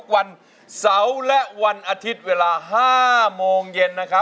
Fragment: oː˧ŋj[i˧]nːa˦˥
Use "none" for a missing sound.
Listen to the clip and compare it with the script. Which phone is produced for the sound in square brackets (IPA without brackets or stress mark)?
e˧